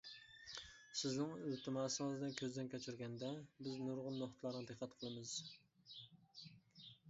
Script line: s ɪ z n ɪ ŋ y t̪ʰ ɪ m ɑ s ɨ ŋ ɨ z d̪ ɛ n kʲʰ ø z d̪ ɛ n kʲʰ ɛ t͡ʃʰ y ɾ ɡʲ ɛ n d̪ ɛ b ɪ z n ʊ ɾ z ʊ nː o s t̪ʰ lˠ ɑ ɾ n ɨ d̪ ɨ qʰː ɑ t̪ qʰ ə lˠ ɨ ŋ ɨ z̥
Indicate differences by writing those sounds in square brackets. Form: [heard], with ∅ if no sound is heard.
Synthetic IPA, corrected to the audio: s ɪ z n ɪ ŋ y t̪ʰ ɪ m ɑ s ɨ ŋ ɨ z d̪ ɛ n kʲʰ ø z d̪ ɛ n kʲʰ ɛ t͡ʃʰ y ɾ ɡʲ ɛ n d̪ ɛ b ɪ z n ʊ ɾ [ʁ] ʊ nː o [χ] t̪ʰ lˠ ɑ ɾ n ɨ d̪ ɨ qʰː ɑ t̪ qʰ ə lˠ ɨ [m] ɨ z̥

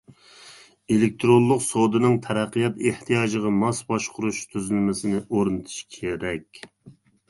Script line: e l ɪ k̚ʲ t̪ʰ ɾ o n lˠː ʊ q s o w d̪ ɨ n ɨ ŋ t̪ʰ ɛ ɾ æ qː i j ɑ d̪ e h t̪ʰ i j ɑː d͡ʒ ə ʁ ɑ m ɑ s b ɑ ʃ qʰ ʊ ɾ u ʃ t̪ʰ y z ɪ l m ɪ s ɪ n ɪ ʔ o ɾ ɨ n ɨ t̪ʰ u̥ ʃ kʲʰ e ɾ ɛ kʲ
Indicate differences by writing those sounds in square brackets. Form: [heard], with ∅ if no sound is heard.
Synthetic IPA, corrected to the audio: e l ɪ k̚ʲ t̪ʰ ɾ o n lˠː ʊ q s o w d̪ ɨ n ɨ ŋ t̪ʰ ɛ ɾ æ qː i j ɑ [t̪] e h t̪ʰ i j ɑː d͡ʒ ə ʁ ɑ m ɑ s b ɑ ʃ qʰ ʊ ɾ u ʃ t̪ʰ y z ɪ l m ɪ s ɪ n ɪ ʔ o ɾ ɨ n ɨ t̪ʰ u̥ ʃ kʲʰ e ɾ ɛ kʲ

